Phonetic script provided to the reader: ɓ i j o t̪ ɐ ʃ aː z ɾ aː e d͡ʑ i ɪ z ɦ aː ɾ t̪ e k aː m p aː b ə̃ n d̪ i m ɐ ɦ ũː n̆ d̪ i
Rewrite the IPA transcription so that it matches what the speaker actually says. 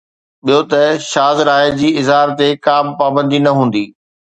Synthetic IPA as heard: ɓ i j o t̪ ɐ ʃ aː z ɾ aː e d͡ʑ iː ɪ z ɦ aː ɾ t̪ e k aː m p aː b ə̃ n d̪ i n ɐ ɦ ũː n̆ d̪ iː